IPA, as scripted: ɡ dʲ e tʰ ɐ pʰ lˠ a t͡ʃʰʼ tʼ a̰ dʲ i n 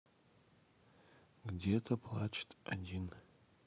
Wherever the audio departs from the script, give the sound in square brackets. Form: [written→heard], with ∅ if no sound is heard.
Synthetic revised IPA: ɡ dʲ e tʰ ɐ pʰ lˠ a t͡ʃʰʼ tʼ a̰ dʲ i n